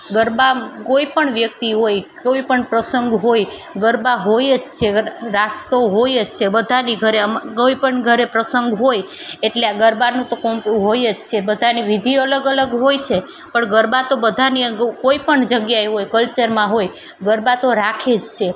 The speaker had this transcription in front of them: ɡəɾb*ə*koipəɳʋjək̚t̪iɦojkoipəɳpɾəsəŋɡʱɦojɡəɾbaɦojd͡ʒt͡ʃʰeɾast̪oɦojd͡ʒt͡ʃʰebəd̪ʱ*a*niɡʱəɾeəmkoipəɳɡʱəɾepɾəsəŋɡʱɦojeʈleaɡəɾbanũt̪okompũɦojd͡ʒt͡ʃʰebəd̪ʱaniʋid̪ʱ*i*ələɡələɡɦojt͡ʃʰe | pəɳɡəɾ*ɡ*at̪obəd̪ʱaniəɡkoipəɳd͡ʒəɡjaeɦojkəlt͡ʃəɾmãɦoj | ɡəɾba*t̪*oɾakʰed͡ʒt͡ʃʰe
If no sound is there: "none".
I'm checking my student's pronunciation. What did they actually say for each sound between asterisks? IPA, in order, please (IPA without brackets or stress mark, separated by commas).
a, a, i, b, t̪